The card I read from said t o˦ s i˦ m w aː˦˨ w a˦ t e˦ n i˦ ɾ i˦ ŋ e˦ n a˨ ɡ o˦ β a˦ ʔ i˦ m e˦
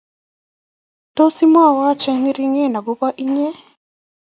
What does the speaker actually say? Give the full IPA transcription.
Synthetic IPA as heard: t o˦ s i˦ m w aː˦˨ w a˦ t͡ʃ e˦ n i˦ ɾ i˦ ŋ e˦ n a˨ ɡ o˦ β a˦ ʔ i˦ ɲ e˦